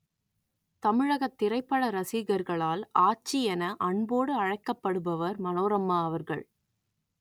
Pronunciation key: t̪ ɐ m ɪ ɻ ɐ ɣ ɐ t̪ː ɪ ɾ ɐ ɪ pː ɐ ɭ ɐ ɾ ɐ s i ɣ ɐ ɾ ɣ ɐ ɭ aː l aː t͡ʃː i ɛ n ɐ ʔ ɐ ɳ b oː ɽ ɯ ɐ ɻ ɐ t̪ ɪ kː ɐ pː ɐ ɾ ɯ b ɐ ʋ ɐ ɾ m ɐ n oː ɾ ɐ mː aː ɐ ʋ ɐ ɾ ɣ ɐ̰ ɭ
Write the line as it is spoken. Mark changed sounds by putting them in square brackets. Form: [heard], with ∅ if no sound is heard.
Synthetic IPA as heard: t̪ ɐ m ɪ ɻ ɐ ɣ ɐ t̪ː ɪ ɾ ɐ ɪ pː ɐ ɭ ɐ ɾ ɐ s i ɣ ɐ ɾ ɣ ɐ ɭ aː l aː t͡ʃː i ɛ n ɐ ʔ ɐ ɳ b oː ɽ ɯ ɐ ɻ ɐ [∅] ɪ kː ɐ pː ɐ [ɽ] ɯ b ɐ ʋ ɐ ɾ m ɐ n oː ɾ ɐ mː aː ɐ ʋ ɐ ɾ ɣ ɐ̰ ɭ